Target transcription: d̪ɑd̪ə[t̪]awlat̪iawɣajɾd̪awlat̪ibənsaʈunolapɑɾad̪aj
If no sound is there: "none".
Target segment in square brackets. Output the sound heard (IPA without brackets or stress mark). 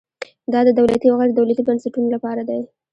d̪